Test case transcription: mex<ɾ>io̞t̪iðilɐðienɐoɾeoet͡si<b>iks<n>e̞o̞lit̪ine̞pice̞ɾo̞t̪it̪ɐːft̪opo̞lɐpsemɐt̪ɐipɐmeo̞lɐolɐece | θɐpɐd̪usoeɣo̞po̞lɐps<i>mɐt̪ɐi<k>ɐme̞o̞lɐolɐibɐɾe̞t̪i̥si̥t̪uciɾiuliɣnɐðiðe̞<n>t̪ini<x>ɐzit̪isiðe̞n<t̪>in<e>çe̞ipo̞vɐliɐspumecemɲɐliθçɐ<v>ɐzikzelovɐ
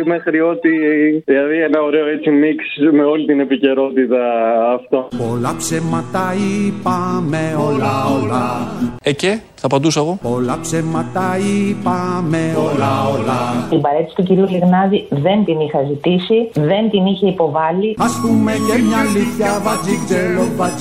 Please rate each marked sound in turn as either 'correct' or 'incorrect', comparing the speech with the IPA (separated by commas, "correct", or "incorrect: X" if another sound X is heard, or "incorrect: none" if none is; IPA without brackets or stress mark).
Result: correct, incorrect: m, incorrect: m, incorrect: e, incorrect: p, correct, correct, correct, incorrect: i, correct